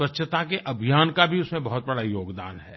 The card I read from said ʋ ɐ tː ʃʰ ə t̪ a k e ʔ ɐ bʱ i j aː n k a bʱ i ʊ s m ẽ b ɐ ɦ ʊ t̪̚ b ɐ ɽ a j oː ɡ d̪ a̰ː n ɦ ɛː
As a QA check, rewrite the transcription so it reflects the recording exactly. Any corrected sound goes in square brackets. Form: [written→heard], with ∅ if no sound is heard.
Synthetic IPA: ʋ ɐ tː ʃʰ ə t̪ a k e ʔ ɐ bʱ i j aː n k a bʱ i ʊ s m ẽ b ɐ ɦ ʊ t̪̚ b ɐ ɽ a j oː ɡ d̪ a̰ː n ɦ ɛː